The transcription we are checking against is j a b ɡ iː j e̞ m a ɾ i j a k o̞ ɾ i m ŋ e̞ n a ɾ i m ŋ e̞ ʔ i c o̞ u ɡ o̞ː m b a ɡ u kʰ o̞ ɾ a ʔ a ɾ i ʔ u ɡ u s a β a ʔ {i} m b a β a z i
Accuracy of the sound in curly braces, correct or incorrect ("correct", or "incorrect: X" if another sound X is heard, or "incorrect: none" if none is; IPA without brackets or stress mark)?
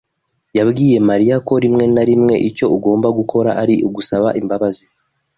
correct